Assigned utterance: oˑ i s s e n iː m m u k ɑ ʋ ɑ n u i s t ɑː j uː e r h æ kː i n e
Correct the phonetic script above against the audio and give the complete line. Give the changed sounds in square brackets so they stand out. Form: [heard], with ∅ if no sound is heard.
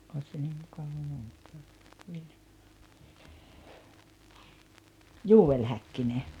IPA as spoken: oˑ i s s e n iː m m u k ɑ ʋ ɑ [m] u i s t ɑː j uː e [l] h æ kː i n e